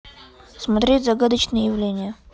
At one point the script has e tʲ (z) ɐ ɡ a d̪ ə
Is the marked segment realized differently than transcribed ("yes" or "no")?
no